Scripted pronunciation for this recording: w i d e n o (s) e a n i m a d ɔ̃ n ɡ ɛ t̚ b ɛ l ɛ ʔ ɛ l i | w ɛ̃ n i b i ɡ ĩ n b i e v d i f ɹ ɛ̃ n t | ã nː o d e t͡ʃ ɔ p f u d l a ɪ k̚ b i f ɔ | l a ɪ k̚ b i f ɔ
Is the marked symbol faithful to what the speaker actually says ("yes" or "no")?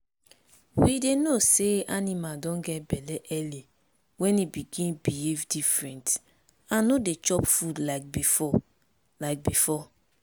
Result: yes